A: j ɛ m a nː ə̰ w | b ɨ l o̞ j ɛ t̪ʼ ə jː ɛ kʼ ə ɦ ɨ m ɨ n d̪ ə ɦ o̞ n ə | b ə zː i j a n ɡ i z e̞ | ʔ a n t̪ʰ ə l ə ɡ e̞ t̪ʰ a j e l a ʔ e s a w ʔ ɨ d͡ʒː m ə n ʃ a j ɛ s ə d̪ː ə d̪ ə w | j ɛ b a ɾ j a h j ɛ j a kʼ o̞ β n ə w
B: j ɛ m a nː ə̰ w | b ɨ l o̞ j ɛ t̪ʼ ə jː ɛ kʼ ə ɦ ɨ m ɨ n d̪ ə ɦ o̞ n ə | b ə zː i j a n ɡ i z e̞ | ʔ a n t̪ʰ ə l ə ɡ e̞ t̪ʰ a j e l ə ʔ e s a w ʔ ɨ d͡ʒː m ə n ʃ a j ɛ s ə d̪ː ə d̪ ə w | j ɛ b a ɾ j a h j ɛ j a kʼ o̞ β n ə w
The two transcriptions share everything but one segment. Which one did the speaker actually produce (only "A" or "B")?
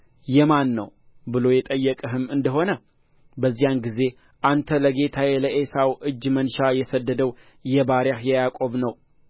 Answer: B